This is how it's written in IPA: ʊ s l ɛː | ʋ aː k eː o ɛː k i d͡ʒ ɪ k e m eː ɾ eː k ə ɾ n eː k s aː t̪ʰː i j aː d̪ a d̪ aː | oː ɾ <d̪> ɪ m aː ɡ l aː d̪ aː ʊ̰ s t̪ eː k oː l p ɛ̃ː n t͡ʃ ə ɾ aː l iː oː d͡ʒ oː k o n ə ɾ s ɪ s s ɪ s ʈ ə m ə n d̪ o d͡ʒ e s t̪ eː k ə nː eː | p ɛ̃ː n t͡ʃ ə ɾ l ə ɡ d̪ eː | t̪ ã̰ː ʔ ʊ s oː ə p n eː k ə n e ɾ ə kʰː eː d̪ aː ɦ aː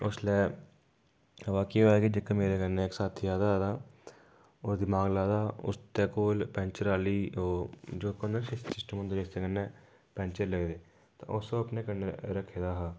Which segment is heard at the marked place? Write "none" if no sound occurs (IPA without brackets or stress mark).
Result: d̪